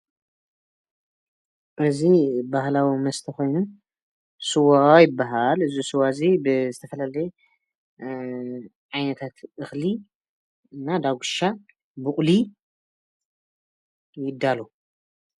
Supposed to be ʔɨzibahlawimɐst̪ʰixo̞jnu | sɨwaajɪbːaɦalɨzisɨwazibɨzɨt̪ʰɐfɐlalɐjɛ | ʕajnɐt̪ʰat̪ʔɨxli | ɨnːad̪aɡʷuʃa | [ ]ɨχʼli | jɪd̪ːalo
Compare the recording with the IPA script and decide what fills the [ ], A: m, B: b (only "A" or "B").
B